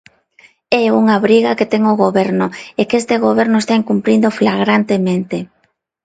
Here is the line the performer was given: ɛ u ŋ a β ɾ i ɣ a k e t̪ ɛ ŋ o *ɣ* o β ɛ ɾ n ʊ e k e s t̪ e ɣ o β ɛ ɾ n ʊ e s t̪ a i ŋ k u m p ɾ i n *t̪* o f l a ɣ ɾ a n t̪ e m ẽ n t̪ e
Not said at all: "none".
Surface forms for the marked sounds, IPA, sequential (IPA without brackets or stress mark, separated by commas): ɣ, d̪